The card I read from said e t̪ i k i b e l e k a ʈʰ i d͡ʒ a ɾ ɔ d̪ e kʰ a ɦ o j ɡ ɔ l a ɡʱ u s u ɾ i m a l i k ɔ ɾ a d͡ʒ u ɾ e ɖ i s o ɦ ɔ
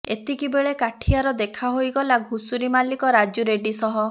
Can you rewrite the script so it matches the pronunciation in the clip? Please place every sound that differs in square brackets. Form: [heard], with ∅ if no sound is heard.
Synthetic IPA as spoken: e t̪ i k i b e [ɭ] e k a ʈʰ i [∅] a ɾ ɔ d̪ e kʰ a ɦ o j ɡ ɔ l a ɡʱ u s u ɾ i m a l i k ɔ ɾ a d͡ʒ u ɾ e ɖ i s [ɔ] ɦ ɔ